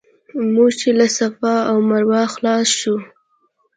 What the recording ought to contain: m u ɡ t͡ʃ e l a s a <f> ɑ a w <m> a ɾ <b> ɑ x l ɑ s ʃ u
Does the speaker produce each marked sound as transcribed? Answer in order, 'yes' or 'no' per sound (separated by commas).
yes, yes, no